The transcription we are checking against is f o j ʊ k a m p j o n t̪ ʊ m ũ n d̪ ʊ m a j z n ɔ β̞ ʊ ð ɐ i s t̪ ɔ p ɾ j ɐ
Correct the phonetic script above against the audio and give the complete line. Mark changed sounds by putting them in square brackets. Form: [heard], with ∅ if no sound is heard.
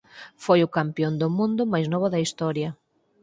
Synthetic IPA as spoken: f o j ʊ k a m p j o n [d̪] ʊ m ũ n d̪ ʊ m a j z n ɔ β̞ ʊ ð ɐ i s t̪ ɔ [∅] ɾ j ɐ

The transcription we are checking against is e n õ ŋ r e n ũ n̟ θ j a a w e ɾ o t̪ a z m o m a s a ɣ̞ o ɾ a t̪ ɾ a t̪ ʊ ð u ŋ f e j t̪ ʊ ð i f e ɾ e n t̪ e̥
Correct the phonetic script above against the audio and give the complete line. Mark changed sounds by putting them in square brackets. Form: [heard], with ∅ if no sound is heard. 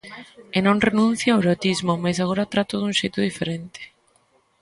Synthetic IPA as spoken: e n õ ŋ r e n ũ n̟ θ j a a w e ɾ o t̪ [i] z m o m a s a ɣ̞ o ɾ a t̪ ɾ a t̪ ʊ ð u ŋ [ʃ] e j t̪ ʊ ð i f e ɾ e n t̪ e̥

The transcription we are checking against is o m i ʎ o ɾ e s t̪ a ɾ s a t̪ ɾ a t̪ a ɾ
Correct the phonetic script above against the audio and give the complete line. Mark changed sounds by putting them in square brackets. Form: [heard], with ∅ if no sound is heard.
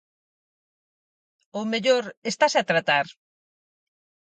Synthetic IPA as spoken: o m [e] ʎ o ɾ e s t̪ a [∅] s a t̪ ɾ a t̪ a ɾ

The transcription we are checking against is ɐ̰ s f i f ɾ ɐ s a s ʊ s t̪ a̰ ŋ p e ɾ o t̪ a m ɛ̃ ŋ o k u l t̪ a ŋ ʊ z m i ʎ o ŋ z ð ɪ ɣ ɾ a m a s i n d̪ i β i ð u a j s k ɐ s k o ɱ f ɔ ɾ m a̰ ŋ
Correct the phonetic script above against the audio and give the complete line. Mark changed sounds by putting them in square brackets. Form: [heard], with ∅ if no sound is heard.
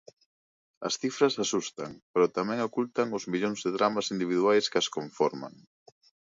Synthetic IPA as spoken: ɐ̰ s [θ] i f ɾ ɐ s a s [u] s t̪ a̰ ŋ p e ɾ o t̪ a m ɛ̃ ŋ o k u l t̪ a ŋ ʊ z m i ʎ o ŋ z ð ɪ [ð] ɾ a m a s i n d̪ i β i ð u a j s k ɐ s k o ɱ f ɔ ɾ m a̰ ŋ

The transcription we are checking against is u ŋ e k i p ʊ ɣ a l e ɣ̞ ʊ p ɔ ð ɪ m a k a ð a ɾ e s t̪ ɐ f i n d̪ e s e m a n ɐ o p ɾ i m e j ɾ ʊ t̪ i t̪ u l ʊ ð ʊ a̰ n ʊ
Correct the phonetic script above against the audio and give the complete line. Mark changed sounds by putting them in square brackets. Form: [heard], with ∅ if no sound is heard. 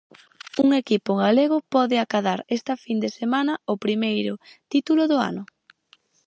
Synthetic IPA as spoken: u ŋ e k i p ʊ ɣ a l e ɣ̞ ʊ p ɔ ð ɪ [∅] a k a ð a ɾ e s t̪ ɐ f i n d̪ e s e m a n ɐ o p ɾ i m e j ɾ ʊ t̪ i t̪ u l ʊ ð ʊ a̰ n ʊ

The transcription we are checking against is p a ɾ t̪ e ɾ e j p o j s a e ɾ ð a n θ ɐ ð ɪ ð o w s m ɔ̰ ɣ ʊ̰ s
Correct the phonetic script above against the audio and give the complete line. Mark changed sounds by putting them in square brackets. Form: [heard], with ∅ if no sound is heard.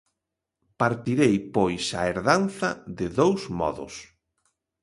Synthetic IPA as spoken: p a ɾ t̪ [i] ɾ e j p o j s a e ɾ ð a n θ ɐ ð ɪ ð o w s m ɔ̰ [ð] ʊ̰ s

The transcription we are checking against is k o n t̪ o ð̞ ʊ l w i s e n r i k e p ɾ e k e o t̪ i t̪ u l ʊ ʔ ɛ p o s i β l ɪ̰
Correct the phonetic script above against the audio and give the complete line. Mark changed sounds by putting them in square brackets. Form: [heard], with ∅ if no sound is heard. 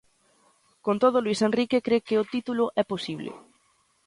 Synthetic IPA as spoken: k o n t̪ o ð̞ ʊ l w i s e n r i k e [k] ɾ e k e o t̪ i t̪ u l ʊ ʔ ɛ p o s i β l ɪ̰

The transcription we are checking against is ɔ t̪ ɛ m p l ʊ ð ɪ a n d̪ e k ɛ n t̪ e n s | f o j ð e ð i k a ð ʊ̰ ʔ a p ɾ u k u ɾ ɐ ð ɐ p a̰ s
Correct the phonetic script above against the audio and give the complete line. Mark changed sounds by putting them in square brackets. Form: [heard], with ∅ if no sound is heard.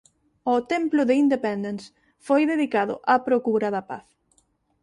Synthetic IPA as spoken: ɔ t̪ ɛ m p l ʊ ð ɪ [i] n d̪ e [p] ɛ n [d̪] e n s | f o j ð e ð i k a ð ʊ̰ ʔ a p ɾ [o] k u ɾ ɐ ð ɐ p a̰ [θ]

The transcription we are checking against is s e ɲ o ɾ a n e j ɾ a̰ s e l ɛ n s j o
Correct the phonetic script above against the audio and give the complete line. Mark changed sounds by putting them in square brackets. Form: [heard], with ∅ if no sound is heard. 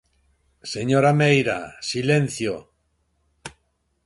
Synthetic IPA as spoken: s e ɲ o ɾ a [m] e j ɾ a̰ s [i] l [e] n [θ] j o

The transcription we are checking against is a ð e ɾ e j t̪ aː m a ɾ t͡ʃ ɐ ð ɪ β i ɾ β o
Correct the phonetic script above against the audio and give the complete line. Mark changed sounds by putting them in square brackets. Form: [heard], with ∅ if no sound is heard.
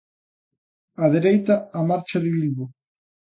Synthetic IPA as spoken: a ð e ɾ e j t̪ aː m a ɾ t͡ʃ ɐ ð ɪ β i [l] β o

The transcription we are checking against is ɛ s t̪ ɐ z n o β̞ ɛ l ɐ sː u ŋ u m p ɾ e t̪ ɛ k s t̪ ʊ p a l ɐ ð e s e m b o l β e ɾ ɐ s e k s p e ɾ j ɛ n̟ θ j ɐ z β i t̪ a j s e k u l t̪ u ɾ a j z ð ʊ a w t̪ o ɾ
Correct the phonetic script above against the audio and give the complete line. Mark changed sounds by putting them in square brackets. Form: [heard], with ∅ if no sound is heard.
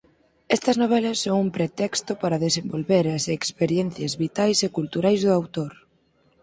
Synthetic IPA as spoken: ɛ s t̪ ɐ z n o β̞ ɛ l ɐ sː [o] ŋ u m p ɾ e t̪ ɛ k s t̪ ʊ p a [ɾ] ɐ ð e s e m b o l β e ɾ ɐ s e k s p e ɾ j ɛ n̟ θ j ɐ z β i t̪ a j s e k u l t̪ u ɾ a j z ð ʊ a w t̪ o ɾ

